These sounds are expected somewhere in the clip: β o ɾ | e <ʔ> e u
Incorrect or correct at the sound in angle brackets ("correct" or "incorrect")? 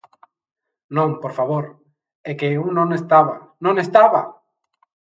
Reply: incorrect